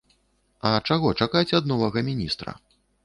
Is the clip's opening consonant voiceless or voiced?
voiceless